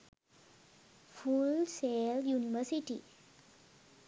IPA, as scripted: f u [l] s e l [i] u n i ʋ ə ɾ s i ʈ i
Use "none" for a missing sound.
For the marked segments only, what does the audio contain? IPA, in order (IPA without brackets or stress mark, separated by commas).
l, j